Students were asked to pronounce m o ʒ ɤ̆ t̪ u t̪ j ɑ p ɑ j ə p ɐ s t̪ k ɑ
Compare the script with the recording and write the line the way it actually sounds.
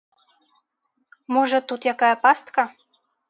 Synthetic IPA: m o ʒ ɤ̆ t̪ u t̪ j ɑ k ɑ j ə p ɑ s t̪ k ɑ